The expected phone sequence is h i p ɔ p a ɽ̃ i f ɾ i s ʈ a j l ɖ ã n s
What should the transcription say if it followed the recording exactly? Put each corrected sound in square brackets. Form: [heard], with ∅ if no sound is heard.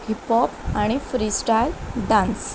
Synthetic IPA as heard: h i p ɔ p a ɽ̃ i f ɾ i s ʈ a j l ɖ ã n s